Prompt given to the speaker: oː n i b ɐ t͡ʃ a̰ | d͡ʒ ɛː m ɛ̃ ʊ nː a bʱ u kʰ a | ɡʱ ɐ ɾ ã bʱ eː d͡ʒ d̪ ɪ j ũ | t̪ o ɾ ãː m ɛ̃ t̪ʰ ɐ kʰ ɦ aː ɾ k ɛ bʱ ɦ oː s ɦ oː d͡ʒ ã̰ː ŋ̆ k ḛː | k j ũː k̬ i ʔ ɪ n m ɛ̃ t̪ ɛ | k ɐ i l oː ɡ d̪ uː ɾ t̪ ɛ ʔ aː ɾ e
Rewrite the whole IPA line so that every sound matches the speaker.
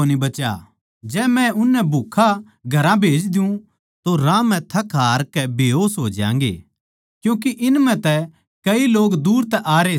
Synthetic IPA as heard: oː n i b ɐ t͡ʃ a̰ | d͡ʒ ɛː m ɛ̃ ʊ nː ɛ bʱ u kʰ a | ɡʱ ɐ ɾ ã bʱ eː d͡ʒ d̪ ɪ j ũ | t̪ o ɾ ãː m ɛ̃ t̪ʰ ɐ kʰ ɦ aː ɾ k ɛ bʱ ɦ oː s ɦ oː d͡ʒ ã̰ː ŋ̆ ɡ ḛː | k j ũː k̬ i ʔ ɪ n m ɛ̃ t̪ ɛ | k ɐ i l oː ɡ d̪ uː ɾ t̪ ɛ ʔ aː ɾ e